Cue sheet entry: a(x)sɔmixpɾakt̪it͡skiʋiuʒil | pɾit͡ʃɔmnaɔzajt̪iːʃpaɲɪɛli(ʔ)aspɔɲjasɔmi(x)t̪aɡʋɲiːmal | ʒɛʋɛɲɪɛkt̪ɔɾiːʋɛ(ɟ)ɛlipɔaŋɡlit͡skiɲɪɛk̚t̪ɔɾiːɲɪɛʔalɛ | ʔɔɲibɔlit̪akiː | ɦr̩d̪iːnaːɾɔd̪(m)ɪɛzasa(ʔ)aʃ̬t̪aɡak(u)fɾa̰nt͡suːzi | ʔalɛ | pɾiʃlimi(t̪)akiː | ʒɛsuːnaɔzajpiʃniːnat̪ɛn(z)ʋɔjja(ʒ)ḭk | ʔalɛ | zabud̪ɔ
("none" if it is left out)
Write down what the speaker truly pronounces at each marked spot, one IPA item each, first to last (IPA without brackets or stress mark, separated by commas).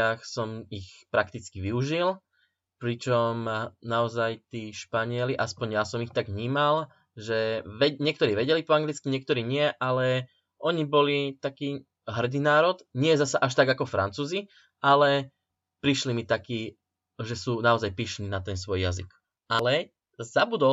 x, ʔ, x, ɟ, ɲ, ʔ, ɔ, t̪, s, z